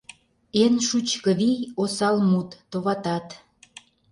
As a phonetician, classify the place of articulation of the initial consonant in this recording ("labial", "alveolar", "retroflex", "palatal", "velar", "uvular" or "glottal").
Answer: alveolar